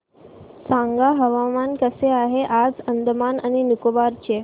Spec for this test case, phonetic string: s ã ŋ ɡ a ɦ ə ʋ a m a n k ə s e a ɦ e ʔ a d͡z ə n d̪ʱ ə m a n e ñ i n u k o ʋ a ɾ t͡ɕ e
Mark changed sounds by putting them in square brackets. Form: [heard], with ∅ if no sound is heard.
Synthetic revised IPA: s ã ŋ ɡ a ɦ ə ʋ a m a n k ə s e a ɦ e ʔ a d͡z ə n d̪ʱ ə m a n [a] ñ i n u k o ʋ a ɾ t͡ɕ e